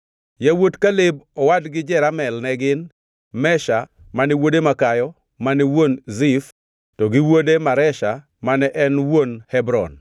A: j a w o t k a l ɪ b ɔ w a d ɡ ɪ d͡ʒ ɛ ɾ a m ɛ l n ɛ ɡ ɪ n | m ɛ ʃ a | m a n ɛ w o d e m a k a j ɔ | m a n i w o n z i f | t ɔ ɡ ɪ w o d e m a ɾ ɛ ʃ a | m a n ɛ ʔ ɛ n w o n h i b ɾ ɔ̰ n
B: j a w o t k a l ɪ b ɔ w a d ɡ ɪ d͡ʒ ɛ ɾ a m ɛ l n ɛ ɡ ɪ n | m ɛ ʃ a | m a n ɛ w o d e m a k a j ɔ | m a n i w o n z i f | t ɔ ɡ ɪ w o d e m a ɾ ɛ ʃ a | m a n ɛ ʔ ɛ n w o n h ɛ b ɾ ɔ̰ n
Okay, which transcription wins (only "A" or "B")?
B